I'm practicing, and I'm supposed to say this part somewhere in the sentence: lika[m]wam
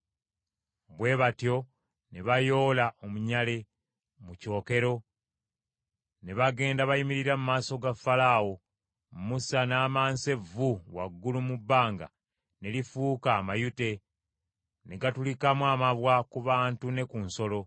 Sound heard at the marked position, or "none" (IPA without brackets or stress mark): m